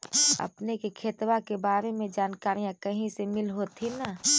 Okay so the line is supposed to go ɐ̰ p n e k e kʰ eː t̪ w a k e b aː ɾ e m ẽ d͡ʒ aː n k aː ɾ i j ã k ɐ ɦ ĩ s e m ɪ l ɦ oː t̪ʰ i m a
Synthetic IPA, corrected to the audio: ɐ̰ p n e k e kʰ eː t̪ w a k e b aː ɾ e m ẽ d͡ʒ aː n k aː ɾ i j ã k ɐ ɦ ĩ s e m ɪ l ɦ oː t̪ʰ i n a

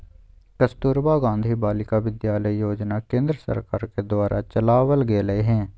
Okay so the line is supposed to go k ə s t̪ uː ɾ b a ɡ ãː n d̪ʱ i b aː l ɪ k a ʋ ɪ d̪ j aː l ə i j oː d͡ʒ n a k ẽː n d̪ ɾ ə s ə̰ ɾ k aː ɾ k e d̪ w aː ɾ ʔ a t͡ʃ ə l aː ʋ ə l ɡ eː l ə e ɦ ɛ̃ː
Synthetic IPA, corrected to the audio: k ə s t̪ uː ɾ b a ɡ ãː n d̪ʱ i b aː l ɪ k a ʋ ɪ d̪ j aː l ə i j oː d͡ʒ n a k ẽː n d̪ ɾ ə s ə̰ ɾ k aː ɾ k e d̪ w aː ɾ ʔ a t͡ʃ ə l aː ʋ ə l ɡ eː l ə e ɦ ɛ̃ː

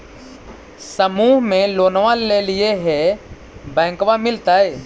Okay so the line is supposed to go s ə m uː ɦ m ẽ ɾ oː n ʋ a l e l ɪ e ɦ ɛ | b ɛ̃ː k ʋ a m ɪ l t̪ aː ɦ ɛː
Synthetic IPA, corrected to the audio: s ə m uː ɦ m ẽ l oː n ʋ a l e l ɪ e ɦ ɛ | b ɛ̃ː k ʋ a m ɪ l t̪ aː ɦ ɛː

